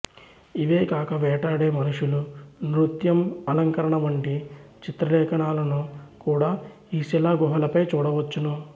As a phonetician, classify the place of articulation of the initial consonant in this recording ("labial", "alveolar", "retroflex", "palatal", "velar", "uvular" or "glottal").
labial